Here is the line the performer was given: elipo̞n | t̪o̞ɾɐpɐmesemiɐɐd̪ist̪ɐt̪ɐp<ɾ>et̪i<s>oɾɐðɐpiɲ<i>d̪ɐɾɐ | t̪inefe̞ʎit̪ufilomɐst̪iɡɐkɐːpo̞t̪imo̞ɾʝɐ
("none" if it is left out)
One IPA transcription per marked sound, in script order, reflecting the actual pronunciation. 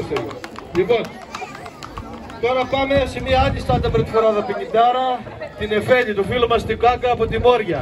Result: ɾ, f, i

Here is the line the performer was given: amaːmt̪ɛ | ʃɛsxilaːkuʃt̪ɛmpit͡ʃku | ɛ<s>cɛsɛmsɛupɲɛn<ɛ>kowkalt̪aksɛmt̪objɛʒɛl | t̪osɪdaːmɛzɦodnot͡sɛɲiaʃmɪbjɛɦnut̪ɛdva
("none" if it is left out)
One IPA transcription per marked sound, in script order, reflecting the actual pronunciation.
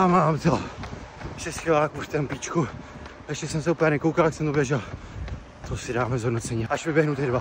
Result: ʃ, ɛ

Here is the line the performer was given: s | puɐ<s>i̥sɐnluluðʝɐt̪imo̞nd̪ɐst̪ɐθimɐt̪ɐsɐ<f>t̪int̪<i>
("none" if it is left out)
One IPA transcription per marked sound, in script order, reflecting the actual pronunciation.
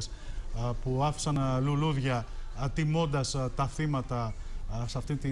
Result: f, f, i

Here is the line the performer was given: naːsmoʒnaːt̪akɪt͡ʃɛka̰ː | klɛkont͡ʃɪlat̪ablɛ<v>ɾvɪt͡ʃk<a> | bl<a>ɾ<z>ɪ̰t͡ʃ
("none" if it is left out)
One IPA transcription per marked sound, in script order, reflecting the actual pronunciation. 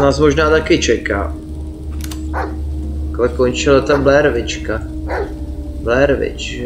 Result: none, a, ɛ, v

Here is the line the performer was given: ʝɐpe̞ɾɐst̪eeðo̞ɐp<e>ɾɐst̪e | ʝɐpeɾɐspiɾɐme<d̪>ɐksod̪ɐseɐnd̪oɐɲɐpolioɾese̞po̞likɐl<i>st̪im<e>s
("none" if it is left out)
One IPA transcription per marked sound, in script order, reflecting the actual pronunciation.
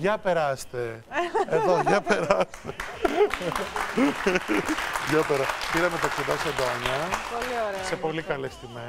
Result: e, t̪, e, e

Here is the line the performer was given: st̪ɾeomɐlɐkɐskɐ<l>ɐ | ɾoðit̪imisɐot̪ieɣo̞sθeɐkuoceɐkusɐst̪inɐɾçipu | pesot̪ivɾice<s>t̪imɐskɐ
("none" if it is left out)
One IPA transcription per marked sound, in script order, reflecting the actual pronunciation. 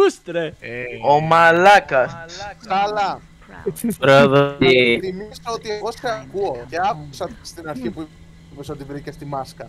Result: l, s

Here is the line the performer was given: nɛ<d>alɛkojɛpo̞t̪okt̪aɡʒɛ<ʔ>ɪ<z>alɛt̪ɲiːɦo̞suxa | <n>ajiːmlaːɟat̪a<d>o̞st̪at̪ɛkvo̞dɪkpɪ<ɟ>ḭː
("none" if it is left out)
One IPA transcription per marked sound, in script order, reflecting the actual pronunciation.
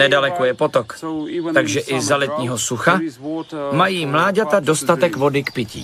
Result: d, ʔ, z, m, d, c

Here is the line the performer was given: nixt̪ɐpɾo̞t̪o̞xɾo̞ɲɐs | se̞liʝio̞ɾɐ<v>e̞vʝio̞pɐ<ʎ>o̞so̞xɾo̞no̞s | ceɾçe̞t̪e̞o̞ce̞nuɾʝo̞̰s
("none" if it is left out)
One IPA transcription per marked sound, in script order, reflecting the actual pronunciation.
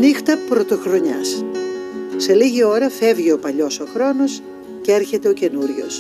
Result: f, ʎ

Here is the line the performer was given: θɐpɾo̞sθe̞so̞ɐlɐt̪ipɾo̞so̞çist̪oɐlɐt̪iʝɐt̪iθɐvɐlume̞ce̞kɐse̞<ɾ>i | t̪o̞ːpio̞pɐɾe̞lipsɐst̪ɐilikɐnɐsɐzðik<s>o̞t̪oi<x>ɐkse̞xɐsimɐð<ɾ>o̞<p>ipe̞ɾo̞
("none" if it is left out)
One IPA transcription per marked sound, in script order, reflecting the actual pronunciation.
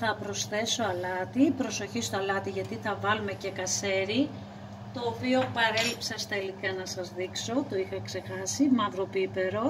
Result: ɾ, s, x, ɾ, p

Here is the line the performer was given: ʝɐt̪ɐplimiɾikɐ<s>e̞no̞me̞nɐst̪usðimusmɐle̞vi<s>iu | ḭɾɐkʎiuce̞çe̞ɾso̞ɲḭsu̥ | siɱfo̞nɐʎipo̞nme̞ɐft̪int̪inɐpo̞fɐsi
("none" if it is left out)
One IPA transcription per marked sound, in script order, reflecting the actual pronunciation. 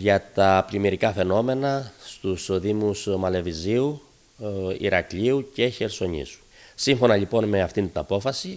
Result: f, z

